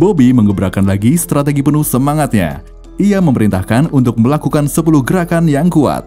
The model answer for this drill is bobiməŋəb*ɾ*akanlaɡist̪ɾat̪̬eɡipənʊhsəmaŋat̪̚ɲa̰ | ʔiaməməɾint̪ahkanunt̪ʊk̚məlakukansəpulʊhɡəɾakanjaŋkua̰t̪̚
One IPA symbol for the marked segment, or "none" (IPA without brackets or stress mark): ɾ